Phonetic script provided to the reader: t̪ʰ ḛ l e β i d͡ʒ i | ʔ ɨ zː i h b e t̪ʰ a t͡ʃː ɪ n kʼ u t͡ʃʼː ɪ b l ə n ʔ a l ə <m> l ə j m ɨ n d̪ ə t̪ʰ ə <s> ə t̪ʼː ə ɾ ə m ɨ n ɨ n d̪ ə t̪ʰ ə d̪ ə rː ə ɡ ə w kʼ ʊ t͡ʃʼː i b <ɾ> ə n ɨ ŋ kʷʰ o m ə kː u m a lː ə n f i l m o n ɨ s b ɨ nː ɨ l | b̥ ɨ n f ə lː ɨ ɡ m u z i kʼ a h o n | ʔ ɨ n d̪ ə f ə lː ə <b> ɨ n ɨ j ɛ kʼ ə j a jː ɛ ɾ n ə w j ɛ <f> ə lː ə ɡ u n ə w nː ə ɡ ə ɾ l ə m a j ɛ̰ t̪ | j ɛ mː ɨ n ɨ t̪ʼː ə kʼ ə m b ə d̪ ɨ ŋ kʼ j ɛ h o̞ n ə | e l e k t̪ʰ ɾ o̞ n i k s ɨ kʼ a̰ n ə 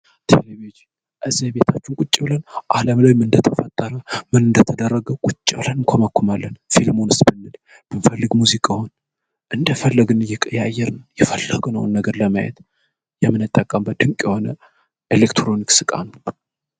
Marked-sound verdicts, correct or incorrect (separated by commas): correct, incorrect, incorrect, incorrect, correct